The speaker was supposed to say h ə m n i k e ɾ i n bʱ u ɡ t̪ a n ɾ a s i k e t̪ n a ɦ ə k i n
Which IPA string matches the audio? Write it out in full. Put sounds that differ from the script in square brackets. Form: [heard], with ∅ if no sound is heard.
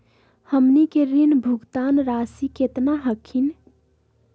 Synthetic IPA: h ə m n i k e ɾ i n bʱ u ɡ t̪ a n ɾ a s i k e t̪ n a ɦ ə [kʰ] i n